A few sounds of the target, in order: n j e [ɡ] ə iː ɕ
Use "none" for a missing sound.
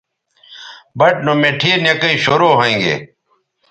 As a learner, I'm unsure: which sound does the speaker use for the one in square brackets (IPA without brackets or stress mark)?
k